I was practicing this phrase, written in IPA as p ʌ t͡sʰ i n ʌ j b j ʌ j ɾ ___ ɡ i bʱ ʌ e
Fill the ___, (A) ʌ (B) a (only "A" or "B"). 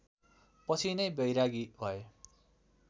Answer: B